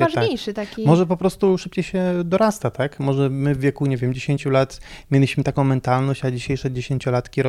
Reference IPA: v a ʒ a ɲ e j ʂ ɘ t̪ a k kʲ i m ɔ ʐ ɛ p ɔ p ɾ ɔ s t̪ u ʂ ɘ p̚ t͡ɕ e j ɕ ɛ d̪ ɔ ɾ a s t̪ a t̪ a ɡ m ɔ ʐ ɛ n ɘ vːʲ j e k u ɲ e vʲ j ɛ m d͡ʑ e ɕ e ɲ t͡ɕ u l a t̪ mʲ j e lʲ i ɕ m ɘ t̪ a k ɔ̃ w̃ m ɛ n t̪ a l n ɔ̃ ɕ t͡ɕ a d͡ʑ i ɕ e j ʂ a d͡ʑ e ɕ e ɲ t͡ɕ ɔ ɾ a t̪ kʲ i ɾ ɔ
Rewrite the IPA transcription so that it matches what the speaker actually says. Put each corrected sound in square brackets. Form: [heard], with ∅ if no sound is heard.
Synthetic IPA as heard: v a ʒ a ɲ e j ʂ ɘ t̪ a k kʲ i m ɔ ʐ ɛ p ɔ p ɾ ɔ s t̪ u ʂ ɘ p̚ t͡ɕ e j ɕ ɛ d̪ ɔ ɾ a s t̪ a t̪ a [k] m ɔ ʐ ɛ [m] ɘ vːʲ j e k u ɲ e vʲ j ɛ m d͡ʑ e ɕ e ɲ t͡ɕ u l a t̪ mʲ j e lʲ i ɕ m ɘ t̪ a k ɔ̃ w̃ m ɛ n t̪ a l n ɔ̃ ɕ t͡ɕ a d͡ʑ i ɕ e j ʂ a d͡ʑ e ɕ e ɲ t͡ɕ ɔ [l] a t̪ kʲ i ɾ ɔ